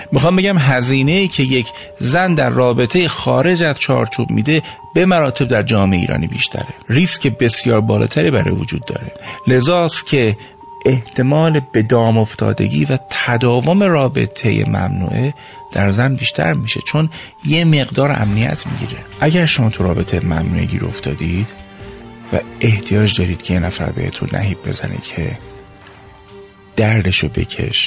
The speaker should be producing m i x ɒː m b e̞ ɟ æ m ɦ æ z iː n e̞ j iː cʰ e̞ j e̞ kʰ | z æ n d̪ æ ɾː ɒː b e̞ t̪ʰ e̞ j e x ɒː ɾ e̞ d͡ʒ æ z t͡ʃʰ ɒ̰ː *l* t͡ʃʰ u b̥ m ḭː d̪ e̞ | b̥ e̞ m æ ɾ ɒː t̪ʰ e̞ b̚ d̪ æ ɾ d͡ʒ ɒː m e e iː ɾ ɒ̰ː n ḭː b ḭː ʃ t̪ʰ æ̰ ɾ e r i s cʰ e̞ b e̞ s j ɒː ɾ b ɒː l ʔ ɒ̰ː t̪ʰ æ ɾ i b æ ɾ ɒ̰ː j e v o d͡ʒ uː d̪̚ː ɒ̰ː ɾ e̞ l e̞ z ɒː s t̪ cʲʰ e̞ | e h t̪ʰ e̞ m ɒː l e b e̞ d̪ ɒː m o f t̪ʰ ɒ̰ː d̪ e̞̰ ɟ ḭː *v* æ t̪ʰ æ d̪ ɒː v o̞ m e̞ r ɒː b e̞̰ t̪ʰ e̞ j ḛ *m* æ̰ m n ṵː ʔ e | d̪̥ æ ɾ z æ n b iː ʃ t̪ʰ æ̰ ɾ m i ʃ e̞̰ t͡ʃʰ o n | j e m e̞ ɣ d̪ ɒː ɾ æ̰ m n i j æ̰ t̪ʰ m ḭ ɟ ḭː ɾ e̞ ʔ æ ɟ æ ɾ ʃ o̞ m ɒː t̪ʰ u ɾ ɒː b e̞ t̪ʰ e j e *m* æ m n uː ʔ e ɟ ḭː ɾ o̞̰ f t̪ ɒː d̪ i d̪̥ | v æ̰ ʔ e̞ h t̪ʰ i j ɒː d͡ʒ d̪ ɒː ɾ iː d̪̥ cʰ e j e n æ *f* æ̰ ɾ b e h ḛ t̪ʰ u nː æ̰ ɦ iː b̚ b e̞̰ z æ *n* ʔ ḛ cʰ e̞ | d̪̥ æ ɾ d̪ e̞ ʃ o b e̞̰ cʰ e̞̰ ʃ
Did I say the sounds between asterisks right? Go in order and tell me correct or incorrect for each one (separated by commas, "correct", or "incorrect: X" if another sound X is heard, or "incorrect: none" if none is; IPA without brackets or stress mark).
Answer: incorrect: ɾ, correct, correct, correct, correct, correct